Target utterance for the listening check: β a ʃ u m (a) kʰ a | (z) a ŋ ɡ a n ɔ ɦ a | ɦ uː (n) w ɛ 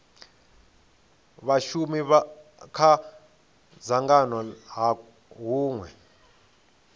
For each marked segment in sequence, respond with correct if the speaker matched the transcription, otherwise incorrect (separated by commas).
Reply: incorrect, correct, incorrect